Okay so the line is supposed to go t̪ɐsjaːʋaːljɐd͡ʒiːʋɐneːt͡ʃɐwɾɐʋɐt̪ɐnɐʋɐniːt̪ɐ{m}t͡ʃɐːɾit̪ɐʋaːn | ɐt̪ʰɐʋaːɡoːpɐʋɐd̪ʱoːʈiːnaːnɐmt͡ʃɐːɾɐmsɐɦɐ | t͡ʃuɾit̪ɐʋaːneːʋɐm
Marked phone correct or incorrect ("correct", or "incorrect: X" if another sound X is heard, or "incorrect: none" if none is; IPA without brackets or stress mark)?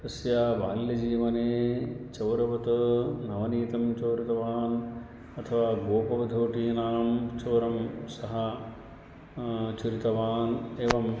correct